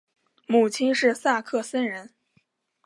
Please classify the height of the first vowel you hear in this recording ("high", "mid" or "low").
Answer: high